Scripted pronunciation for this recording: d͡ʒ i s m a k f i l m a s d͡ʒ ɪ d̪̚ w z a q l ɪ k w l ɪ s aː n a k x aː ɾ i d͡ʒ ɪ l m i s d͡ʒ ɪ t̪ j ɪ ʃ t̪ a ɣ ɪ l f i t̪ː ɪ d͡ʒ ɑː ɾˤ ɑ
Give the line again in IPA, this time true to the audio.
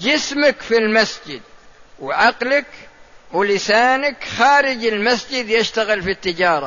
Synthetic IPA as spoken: d͡ʒ ɪ s m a k f i l m a s d͡ʒ ɪ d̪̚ w ʕ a q l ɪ k w l ɪ s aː n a k x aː ɾ ɪ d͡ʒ ɪ l m a s d͡ʒ ɪ d̪ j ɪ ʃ t̪ a ɣ ɪ l f i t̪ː ɪ d͡ʒ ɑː ɾˤ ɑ